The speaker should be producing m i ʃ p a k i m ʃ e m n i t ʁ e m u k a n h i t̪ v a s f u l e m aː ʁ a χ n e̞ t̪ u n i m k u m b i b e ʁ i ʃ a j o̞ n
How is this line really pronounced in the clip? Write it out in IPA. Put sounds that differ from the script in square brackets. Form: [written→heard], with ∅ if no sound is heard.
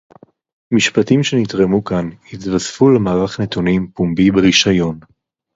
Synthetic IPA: m i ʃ p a [k→t] i m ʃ e [m→∅] n i t ʁ e m u k a n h i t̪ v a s f u l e m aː ʁ a χ n e̞ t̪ u n i m [k→p] u m b i b e ʁ i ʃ a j o̞ n